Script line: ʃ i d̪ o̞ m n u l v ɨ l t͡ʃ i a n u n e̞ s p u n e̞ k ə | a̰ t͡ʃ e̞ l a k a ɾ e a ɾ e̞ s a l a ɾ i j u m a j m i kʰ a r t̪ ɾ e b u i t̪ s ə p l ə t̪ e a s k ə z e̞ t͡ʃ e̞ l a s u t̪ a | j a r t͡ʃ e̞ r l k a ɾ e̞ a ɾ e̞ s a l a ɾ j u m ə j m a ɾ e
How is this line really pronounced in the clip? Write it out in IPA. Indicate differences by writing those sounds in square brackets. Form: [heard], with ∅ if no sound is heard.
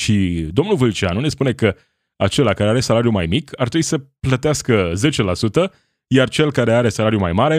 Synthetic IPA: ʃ i d̪ o̞ m n u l v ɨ l t͡ʃ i a n u n e̞ s p u n e̞ k ə | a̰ t͡ʃ e̞ l a k a ɾ e a ɾ e̞ s a l a ɾ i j u m a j m i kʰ a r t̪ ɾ e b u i [∅] s ə p l ə t̪ e a s k ə z e̞ t͡ʃ e̞ l a s u t̪ [ə] | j a r t͡ʃ e̞ [∅] l k a ɾ e̞ a ɾ e̞ s a l a ɾ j u m [a] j m a ɾ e